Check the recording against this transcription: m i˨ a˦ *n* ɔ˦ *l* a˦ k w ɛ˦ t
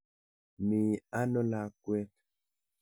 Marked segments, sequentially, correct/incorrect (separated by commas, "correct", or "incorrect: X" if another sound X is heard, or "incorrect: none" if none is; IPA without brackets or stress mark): correct, correct